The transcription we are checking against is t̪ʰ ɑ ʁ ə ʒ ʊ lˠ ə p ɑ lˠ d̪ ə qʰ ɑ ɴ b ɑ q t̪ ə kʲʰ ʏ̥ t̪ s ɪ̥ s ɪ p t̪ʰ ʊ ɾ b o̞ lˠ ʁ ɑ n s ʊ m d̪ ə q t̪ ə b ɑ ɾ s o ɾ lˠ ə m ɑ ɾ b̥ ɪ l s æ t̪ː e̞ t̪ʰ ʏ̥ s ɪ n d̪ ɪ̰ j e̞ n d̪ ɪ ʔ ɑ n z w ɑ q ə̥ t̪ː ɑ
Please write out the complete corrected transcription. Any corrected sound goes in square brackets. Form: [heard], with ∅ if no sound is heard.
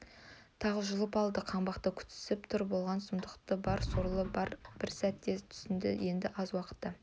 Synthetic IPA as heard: t̪ʰ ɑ ʁ ə ʒ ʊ lˠ ə p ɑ lˠ d̪ ə qʰ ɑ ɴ b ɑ q t̪ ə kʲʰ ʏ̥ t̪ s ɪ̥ s ɪ p t̪ʰ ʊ ɾ b o̞ lˠ ʁ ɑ n s ʊ m d̪ ə q t̪ ə b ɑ ɾ s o ɾ lˠ ə [b] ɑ ɾ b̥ ɪ [ɾ] s æ t̪ː e̞ t̪ʰ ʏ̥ s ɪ n d̪ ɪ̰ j e̞ n d̪ ɪ ʔ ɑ [∅] z w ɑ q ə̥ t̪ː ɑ